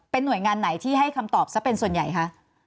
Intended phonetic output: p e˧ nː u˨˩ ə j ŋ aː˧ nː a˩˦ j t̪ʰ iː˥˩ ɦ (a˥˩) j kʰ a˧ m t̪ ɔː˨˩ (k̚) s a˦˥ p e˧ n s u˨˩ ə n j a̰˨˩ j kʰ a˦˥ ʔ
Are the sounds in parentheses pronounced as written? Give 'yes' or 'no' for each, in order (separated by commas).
yes, no